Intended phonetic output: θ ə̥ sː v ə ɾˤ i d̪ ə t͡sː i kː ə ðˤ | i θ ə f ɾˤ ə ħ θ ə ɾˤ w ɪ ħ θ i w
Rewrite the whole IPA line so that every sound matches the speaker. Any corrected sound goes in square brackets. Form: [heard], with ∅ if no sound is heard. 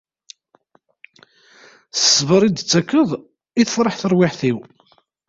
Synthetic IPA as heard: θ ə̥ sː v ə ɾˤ i d̪ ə t͡sː [æ] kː ə ðˤ | i θ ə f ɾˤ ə ħ θ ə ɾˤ w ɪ ħ θ i w